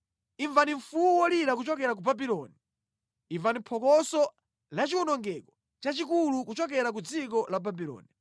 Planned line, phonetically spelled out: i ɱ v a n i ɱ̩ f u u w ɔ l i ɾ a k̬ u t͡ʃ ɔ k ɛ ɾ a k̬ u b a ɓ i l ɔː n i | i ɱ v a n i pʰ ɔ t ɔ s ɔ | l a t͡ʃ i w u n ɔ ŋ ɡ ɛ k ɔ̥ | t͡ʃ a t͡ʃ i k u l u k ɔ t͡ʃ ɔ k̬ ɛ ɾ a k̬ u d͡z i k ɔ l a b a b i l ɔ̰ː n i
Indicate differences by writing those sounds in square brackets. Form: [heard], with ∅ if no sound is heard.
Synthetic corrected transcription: i ɱ v a n i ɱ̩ f u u w ɔ l i ɾ a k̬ u t͡ʃ ɔ k ɛ ɾ a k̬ u b a [b] i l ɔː n i | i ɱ v a n i pʰ ɔ [k] ɔ s ɔ | l a t͡ʃ i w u n ɔ ŋ ɡ ɛ k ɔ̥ | t͡ʃ a t͡ʃ i k u l u k [u] t͡ʃ ɔ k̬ ɛ ɾ a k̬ u d͡z i k ɔ l a b a b i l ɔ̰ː n i